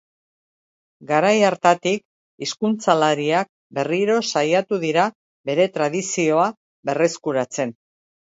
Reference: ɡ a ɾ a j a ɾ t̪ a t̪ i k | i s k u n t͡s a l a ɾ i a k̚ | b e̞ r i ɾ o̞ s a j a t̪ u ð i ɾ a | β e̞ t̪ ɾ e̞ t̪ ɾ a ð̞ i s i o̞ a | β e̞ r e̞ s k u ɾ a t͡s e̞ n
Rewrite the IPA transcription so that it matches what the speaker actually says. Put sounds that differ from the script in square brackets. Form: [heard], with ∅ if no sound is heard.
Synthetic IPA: ɡ a ɾ a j a ɾ t̪ a t̪ i k | i s k u n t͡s a l a ɾ i a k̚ | b e̞ r i ɾ o̞ s a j a t̪ u ð i ɾ a | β e̞ [∅] ɾ e̞ t̪ ɾ a ð̞ i s i o̞ a | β e̞ r e̞ s k u ɾ a t͡s e̞ n